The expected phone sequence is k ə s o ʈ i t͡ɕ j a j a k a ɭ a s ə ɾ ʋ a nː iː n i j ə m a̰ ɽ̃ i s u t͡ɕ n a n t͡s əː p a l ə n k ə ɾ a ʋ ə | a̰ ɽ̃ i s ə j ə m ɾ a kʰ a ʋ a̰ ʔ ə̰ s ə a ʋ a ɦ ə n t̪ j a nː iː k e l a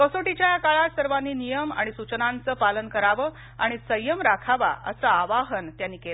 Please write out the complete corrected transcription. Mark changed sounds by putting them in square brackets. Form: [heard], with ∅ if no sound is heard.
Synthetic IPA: k ə s o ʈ i t͡ɕ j a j a k a ɭ a s ə ɾ ʋ a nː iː n i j ə m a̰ ɽ̃ i s u t͡ɕ n a n t͡s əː p a l ə n k ə ɾ a ʋ ə | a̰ ɽ̃ i s ə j ə m ɾ a kʰ a ʋ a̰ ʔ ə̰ s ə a ʋ a ɦ ə n t̪ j a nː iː k e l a